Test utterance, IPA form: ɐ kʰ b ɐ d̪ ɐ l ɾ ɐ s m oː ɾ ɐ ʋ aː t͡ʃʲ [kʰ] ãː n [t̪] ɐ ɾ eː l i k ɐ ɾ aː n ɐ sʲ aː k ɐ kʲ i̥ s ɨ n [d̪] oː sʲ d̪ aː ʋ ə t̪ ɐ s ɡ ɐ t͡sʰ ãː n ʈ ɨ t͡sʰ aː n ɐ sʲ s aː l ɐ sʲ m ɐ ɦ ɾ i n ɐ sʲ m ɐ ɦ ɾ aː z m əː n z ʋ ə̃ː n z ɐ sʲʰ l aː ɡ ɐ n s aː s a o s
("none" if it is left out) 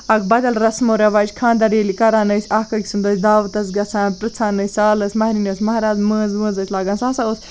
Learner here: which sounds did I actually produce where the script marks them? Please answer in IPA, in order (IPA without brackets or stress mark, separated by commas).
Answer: kʰ, d̪, d̪